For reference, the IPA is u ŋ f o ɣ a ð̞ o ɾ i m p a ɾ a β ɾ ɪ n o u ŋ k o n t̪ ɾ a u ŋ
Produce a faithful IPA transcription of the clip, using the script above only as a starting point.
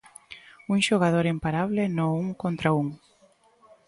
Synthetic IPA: u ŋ ʃ o ɣ a ð̞ o ɾ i m p a ɾ a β l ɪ n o u ŋ k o n t̪ ɾ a u ŋ